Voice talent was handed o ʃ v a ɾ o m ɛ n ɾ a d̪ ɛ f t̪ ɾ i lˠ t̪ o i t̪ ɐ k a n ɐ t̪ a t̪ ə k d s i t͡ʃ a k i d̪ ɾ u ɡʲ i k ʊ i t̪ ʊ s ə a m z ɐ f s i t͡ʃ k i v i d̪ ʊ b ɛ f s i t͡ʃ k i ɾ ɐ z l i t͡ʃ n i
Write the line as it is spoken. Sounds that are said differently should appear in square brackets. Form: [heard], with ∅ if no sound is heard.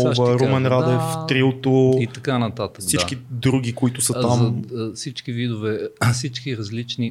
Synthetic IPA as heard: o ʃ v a ɾ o m ɛ n ɾ a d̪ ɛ f t̪ ɾ i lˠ t̪ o i t̪ ɐ k a n ɐ t̪ a t̪ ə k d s i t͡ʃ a k i d̪ ɾ u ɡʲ i k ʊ i t̪ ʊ s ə a m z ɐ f s i t͡ʃ k i v i d̪ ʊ [v] ɛ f s i t͡ʃ k i ɾ ɐ z l i t͡ʃ n i